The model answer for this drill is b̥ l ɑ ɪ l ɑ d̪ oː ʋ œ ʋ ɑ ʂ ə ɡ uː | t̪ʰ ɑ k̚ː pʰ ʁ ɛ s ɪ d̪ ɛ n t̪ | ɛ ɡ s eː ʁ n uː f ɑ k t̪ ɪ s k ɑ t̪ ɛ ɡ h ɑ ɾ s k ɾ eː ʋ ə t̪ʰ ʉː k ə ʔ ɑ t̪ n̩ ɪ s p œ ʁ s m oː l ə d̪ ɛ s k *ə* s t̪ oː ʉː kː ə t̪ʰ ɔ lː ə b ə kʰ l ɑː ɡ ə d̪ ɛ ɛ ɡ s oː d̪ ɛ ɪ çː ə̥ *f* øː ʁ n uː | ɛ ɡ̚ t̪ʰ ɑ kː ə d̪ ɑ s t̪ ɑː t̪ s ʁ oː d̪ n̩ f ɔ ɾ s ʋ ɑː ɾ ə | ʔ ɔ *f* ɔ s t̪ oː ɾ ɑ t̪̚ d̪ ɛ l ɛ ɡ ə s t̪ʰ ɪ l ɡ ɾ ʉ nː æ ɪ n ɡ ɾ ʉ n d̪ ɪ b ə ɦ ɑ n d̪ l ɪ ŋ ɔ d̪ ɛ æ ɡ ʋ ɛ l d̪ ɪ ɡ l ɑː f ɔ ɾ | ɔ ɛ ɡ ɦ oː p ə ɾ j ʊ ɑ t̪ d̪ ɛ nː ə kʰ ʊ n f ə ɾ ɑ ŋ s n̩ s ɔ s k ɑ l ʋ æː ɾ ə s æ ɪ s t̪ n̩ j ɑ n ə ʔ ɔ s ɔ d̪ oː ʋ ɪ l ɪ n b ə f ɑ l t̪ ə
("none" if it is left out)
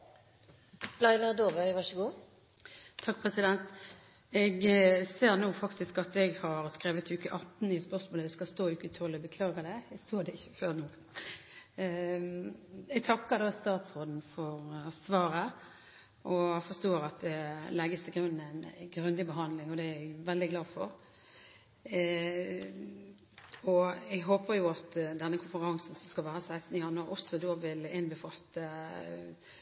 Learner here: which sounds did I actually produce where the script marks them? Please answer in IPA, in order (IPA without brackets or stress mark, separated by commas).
ɑ, f, f